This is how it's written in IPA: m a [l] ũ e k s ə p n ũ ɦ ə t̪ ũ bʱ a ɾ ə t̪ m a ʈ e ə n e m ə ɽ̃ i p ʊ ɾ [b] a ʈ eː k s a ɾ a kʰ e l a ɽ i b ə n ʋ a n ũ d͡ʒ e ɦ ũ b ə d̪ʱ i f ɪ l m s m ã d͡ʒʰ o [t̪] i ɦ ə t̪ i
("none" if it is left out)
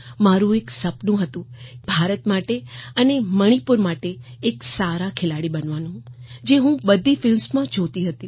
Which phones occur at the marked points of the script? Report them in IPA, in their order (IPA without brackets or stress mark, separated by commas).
ɾ, m, t̪